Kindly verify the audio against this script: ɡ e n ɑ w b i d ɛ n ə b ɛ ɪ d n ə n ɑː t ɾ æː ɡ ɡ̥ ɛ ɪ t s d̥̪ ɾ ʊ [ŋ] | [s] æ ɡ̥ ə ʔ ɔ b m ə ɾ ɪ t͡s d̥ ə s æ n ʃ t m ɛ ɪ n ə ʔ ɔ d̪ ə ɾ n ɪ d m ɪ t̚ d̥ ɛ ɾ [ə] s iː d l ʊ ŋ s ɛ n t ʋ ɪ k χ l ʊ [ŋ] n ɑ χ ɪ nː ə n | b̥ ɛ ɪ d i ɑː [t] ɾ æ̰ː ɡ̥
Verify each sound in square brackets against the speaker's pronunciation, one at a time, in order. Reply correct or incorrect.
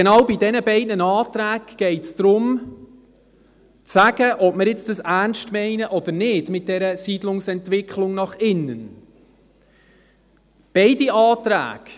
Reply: incorrect, incorrect, correct, correct, correct

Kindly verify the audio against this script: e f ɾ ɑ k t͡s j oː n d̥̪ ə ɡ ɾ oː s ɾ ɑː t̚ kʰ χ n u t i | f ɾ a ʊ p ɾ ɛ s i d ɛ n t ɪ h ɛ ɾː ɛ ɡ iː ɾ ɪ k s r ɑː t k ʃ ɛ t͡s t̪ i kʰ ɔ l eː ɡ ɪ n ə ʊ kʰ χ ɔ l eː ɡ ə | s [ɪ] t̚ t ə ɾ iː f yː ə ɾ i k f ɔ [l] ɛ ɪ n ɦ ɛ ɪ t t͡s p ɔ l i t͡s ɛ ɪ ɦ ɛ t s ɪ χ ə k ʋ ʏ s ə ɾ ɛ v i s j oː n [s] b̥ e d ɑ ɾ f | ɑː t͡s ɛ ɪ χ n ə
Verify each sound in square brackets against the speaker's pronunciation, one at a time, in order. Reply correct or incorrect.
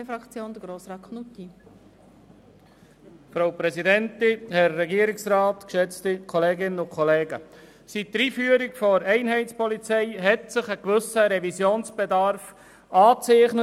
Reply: incorrect, incorrect, correct

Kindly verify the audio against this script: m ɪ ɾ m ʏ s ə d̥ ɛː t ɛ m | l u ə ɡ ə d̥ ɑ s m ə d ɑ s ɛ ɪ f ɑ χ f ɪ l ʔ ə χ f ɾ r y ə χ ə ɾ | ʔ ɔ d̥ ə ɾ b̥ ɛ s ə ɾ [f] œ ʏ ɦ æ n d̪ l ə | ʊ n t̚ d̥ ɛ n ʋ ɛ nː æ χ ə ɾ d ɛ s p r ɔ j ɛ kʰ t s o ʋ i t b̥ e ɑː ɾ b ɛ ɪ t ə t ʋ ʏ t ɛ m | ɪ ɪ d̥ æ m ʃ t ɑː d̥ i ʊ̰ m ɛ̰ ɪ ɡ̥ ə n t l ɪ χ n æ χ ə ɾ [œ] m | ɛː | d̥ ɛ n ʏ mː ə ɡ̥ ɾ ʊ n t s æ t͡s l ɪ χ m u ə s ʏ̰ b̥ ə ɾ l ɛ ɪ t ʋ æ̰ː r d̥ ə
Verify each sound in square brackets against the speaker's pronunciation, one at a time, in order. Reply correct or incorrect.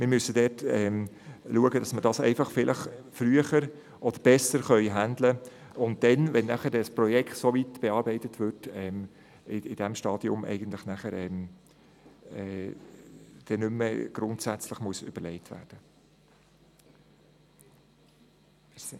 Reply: incorrect, incorrect

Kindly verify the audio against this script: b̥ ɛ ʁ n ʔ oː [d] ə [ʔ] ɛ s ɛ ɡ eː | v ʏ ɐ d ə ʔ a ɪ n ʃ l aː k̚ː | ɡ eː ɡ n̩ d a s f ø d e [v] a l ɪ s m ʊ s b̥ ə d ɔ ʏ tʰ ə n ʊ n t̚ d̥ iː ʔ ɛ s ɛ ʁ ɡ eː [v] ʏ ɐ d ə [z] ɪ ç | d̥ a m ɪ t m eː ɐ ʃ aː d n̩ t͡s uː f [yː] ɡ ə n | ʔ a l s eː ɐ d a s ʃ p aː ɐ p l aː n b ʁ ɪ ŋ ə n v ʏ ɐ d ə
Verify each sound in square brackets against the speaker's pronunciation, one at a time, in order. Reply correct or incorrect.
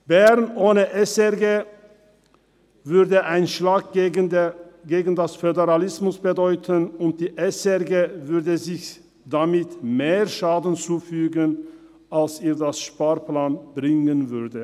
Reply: incorrect, correct, incorrect, correct, correct, correct

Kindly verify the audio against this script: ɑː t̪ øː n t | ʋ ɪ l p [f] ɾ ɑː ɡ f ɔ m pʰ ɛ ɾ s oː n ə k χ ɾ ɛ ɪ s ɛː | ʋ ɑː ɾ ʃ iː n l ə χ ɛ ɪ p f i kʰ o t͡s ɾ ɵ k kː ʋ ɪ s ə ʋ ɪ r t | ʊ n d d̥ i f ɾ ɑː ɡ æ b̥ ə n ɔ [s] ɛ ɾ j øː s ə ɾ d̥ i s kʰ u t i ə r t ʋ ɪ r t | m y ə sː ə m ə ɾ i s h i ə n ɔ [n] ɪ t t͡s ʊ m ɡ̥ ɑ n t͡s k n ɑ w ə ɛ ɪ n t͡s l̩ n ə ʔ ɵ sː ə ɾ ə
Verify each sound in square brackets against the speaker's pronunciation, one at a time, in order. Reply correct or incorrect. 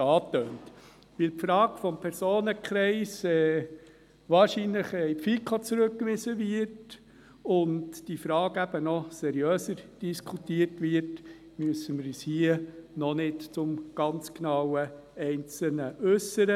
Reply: correct, correct, correct

